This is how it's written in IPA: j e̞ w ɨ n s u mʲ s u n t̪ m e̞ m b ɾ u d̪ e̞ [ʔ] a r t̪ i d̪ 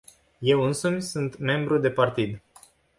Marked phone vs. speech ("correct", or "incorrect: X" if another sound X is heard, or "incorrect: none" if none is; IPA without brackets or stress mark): incorrect: p